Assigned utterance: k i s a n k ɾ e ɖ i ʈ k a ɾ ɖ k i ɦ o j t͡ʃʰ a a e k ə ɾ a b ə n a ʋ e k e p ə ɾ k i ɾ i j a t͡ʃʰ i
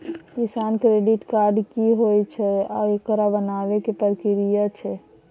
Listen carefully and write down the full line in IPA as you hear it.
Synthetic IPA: k i s a n k ɾ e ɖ i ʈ k a ɾ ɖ k i ɦ o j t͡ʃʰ ɛ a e k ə ɾ a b ə n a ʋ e k e p ə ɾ k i ɾ i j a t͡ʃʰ ɛ